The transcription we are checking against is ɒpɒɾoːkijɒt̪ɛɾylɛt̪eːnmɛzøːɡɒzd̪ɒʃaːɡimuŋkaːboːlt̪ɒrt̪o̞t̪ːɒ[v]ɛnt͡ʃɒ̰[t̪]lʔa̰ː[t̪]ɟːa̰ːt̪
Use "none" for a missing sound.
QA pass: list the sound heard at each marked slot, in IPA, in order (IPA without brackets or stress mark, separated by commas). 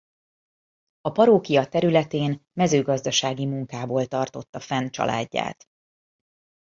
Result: f, none, none